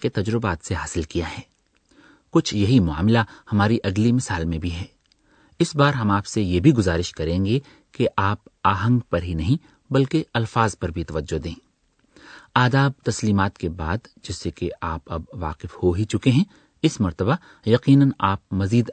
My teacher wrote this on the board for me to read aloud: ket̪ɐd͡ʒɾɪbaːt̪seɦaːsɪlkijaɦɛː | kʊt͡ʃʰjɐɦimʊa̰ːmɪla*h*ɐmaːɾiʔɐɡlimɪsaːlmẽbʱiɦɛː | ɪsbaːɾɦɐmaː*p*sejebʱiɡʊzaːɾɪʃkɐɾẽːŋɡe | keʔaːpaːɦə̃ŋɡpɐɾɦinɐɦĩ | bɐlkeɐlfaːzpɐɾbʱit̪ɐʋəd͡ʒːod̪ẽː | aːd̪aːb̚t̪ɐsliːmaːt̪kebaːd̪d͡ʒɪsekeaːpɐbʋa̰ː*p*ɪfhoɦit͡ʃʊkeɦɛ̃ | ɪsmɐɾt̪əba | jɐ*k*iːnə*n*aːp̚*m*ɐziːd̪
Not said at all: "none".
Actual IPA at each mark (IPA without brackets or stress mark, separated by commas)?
h, p, q, q, n, m